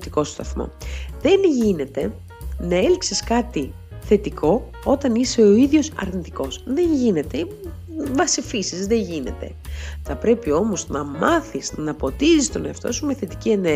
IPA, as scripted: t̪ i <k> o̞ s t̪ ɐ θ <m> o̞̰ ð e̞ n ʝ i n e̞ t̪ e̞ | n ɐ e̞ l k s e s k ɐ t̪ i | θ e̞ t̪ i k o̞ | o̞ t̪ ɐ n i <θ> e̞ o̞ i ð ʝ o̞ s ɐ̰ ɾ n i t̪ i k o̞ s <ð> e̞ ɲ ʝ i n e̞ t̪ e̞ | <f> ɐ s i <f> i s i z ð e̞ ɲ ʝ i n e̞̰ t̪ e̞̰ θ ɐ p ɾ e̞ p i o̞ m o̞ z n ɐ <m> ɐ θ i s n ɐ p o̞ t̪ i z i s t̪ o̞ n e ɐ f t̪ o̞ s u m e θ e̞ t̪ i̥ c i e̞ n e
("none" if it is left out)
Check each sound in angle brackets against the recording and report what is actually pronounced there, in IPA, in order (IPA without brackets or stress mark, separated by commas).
k, m, s, ð, v, f, m